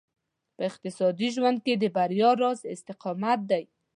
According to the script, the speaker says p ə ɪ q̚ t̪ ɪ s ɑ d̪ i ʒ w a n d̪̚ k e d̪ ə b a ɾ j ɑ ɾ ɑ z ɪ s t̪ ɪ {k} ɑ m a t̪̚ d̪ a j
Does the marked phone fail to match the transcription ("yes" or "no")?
yes